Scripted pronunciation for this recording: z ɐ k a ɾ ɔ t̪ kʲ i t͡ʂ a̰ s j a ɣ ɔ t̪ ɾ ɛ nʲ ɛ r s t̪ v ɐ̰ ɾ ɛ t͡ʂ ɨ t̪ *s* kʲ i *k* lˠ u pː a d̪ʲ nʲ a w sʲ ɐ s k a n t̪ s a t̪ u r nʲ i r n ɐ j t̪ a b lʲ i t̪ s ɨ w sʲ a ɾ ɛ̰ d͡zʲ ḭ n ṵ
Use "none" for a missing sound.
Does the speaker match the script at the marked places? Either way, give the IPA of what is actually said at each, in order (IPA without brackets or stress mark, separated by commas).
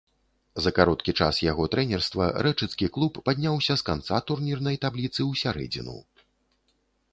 s, k